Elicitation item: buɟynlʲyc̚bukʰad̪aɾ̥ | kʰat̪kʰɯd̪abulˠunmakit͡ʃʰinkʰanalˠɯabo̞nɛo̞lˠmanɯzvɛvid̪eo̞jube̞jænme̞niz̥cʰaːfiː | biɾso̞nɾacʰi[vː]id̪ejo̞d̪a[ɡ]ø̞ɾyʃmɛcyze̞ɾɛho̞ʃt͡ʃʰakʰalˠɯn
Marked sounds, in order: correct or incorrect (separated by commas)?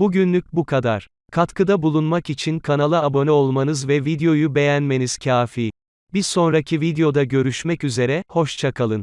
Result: incorrect, incorrect